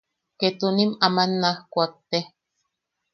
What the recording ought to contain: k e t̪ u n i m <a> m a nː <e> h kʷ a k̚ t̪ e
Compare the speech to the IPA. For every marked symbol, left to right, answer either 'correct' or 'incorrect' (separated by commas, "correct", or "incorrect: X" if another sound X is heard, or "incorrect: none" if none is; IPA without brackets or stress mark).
correct, incorrect: a